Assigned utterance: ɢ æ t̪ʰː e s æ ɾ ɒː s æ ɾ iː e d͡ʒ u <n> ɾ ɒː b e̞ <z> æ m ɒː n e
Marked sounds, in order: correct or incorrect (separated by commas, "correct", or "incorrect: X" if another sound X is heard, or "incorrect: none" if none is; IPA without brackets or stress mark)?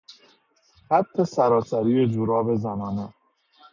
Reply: incorrect: none, correct